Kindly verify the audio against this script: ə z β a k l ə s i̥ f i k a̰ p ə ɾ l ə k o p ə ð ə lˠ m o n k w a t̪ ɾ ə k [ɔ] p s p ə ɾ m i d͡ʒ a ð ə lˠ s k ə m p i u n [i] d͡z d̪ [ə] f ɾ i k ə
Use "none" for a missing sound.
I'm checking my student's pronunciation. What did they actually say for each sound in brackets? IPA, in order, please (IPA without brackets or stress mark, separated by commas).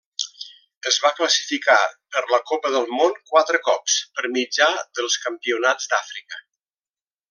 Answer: ɔ, a, a